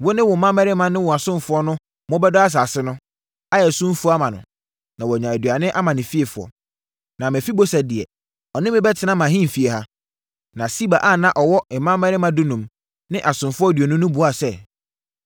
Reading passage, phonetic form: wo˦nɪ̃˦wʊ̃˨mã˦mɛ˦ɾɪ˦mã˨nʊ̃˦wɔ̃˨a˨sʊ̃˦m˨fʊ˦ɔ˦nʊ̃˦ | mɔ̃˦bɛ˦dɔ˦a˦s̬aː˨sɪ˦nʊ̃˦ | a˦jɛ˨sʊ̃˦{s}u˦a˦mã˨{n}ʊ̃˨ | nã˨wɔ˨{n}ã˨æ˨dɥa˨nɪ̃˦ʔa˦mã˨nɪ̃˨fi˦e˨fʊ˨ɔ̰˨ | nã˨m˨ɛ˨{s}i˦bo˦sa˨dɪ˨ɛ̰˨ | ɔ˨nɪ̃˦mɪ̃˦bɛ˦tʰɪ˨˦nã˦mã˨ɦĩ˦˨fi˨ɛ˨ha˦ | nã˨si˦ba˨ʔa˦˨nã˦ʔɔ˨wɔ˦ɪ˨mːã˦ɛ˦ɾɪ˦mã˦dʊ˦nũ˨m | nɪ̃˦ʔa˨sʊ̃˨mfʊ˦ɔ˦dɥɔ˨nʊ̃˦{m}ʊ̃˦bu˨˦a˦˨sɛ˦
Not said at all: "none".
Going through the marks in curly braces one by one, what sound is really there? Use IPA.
f, n, ɲ, f, n

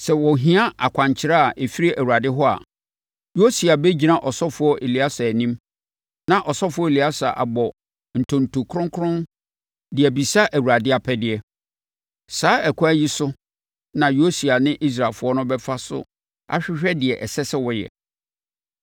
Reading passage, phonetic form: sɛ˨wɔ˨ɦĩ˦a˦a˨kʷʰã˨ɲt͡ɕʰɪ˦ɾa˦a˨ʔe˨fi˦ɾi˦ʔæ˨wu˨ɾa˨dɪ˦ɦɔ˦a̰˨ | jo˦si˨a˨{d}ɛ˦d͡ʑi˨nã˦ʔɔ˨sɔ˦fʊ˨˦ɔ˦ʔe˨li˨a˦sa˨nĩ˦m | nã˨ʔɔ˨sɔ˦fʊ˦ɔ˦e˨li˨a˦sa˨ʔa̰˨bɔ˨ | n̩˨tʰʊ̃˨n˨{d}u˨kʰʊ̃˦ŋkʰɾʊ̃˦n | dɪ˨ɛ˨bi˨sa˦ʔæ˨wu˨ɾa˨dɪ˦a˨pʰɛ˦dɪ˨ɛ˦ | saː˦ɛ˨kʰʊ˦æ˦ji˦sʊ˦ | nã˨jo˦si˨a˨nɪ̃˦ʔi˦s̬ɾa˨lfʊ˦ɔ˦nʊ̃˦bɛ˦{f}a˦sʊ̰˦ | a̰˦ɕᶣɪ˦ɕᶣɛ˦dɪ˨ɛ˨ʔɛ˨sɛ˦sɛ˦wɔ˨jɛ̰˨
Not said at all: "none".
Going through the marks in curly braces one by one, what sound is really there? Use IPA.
b, t, f

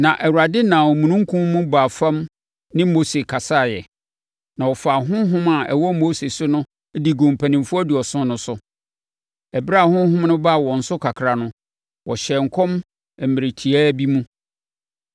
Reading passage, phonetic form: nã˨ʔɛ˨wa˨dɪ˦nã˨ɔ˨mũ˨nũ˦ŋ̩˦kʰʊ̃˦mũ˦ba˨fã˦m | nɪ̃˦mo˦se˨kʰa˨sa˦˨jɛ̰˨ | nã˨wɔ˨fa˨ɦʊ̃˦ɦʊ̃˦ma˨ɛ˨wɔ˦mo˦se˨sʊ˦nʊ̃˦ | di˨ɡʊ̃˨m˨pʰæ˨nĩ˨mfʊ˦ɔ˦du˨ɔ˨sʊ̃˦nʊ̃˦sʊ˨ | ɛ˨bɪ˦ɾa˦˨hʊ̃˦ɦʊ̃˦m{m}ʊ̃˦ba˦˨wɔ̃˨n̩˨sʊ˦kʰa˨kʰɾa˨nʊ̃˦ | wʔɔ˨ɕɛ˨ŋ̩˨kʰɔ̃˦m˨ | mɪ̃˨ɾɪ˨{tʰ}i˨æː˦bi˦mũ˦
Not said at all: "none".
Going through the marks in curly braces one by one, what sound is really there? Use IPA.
n, tʰ

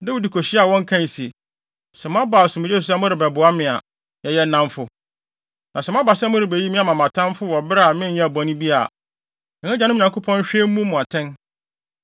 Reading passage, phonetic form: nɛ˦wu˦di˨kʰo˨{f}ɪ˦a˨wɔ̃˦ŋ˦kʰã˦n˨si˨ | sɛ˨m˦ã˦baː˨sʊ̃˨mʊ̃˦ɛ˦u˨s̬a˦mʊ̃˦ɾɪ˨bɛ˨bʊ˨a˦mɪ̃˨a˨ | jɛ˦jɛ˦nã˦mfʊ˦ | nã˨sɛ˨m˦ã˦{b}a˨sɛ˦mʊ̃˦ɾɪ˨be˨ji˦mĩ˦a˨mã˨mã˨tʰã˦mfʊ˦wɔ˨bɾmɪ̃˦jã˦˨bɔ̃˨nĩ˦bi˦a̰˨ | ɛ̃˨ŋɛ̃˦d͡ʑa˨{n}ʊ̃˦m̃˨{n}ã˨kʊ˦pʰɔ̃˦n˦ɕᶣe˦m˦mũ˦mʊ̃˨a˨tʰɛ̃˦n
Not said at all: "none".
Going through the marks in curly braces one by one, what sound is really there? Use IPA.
ɕ, b, n, ɲ

